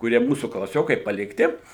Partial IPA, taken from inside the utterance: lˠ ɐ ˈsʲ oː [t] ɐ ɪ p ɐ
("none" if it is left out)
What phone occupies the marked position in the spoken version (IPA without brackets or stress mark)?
k